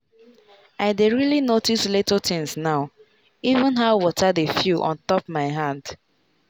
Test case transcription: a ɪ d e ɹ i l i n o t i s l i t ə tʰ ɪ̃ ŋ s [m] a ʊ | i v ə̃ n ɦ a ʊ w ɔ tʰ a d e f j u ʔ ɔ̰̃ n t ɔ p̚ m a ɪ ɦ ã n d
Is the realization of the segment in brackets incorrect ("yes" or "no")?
yes